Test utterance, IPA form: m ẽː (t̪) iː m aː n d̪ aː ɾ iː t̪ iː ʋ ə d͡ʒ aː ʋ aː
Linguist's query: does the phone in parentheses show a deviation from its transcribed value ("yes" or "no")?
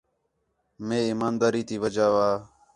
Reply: yes